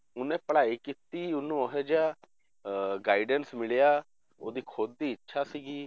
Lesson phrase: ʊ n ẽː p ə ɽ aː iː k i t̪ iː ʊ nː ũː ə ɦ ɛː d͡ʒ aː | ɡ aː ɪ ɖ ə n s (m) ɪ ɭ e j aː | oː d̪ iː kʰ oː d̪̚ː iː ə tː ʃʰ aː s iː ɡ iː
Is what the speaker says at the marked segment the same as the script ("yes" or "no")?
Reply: yes